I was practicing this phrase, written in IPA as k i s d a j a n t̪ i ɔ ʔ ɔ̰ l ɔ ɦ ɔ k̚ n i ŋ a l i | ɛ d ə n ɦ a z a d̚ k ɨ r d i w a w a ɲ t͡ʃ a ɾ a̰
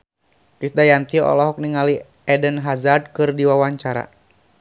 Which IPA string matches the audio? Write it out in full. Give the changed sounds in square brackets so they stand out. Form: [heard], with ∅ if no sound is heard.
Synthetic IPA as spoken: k i s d a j a n t̪ i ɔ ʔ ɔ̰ l ɔ ɦ ɔ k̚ n i ŋ a l i | ɛ d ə n ɦ a z a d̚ k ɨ r d i w a w a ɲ t͡ʃ a ɾ a̰

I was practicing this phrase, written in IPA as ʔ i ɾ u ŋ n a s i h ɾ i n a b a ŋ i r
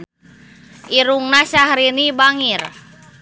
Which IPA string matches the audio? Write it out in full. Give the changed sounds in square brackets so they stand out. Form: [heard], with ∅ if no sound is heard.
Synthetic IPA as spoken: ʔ i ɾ u ŋ n a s [a] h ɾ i n [i] b a ŋ i r

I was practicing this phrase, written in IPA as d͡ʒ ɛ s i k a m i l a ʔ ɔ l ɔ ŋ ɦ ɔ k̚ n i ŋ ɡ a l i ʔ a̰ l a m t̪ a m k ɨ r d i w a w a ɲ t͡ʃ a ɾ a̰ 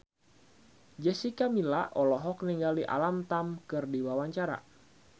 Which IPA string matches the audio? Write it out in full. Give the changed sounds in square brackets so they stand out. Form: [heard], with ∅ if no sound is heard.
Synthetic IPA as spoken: d͡ʒ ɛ s i k a m i l a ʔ ɔ l ɔ [∅] ɦ ɔ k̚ n i ŋ ɡ a l i ʔ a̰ l a m t̪ a m k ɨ r d i w a w a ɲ t͡ʃ a ɾ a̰

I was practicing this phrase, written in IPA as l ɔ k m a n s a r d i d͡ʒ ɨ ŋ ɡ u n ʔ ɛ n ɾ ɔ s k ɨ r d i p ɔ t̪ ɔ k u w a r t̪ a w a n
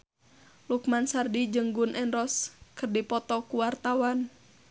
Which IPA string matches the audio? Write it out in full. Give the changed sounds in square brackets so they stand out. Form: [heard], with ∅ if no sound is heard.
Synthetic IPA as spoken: l [u] k m a n s a r d i d͡ʒ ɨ ŋ ɡ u n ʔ ɛ n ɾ ɔ s k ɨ r d i p ɔ t̪ ɔ k u w a r t̪ a w a n

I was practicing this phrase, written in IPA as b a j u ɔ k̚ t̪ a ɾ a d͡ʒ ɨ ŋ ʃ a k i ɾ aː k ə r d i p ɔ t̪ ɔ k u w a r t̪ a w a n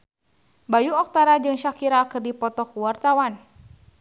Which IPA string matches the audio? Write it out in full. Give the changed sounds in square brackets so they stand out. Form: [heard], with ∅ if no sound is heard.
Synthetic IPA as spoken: b a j u ɔ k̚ t̪ a ɾ a d͡ʒ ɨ ŋ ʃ a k i ɾ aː k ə r d i p ɔ t̪ ɔ k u w a r t̪ a w a n

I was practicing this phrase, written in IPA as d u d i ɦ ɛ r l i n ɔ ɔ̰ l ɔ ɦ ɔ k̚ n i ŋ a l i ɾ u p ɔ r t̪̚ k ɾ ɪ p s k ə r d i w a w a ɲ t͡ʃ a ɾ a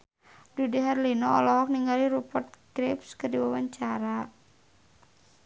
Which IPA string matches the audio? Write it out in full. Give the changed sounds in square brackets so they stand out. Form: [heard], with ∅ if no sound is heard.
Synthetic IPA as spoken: d u d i ɦ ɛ r l i n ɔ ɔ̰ l ɔ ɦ ɔ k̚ n i ŋ a l i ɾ u p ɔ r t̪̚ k ɾ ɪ p s k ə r d i w a w a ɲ t͡ʃ a ɾ a

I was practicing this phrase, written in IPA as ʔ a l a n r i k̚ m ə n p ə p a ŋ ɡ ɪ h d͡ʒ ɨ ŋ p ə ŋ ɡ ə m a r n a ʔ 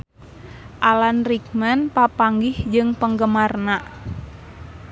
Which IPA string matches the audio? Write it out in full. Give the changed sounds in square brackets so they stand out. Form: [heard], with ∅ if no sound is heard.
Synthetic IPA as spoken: ʔ a l a n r i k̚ m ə n p [a] p a ŋ ɡ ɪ h d͡ʒ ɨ ŋ p ə ŋ ɡ ə m a r n a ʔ

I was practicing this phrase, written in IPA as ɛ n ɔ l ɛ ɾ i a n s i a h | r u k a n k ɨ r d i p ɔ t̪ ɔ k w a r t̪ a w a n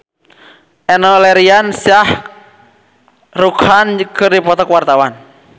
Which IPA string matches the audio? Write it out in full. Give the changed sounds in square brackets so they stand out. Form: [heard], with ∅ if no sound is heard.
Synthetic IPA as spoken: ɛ n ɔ l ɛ ɾ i a n s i a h | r u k a n k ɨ r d i p ɔ t̪ ɔ k w a r t̪ a w a n

